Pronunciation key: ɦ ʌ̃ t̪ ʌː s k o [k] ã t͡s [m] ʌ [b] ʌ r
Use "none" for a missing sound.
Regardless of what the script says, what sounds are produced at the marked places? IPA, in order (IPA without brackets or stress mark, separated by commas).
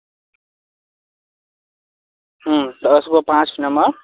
p, n, m